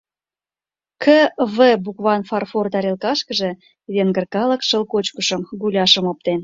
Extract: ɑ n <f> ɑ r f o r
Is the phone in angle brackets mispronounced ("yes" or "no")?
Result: no